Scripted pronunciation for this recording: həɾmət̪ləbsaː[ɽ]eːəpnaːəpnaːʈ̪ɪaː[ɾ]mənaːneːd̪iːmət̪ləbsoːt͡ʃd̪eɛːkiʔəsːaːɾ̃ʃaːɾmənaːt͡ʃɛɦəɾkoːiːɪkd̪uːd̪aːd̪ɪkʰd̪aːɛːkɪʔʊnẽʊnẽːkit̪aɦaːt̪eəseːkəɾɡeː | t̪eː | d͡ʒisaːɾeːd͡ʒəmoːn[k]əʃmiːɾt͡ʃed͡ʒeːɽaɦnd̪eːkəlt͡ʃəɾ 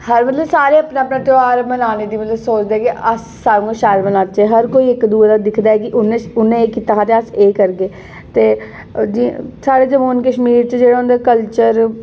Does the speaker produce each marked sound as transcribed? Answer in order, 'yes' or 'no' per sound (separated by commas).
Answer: no, yes, yes